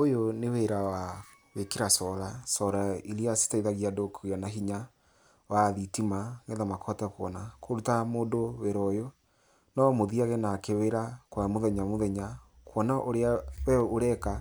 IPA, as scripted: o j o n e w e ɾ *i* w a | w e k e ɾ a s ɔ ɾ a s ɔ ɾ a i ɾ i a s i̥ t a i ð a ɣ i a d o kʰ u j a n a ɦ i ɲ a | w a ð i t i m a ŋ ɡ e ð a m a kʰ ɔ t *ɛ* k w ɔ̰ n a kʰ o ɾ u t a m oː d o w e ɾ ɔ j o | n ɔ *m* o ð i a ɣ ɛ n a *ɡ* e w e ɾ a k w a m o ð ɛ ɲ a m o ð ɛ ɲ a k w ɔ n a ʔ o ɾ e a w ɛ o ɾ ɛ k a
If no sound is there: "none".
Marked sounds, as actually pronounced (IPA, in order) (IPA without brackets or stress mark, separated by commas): a, ɛ, m, k